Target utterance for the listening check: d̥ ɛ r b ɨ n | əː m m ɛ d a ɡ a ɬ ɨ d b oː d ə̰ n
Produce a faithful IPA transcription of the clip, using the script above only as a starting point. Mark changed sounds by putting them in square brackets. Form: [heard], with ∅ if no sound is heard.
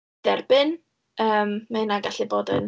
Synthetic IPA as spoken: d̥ ɛ r b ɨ n | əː m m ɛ [n] a ɡ a ɬ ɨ [∅] b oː d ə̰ n